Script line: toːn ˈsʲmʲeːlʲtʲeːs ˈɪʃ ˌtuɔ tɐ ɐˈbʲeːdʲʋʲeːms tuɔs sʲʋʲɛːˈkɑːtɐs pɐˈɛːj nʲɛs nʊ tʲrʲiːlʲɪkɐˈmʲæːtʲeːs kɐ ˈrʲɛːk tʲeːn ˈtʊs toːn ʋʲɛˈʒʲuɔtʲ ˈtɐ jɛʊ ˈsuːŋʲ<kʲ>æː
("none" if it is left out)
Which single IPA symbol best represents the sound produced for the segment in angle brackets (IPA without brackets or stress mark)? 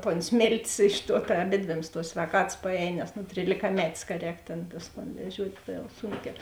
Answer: kʲ